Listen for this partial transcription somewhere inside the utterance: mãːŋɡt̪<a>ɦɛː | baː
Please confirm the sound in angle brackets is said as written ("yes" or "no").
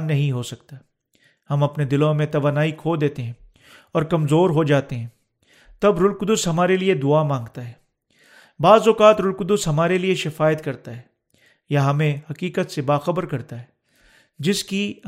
yes